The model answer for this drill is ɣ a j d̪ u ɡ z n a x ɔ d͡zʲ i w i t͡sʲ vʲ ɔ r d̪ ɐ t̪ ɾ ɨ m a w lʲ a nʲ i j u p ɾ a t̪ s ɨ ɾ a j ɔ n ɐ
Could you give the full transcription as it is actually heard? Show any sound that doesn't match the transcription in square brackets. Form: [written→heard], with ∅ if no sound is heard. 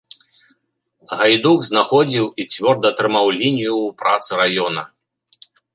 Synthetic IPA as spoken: ɣ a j d̪ u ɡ z n a x ɔ d͡zʲ i w i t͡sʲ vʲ ɔ r d̪ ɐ t̪ ɾ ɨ m a w lʲ [a→i] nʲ i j u p ɾ a t̪ s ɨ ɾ a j ɔ n ɐ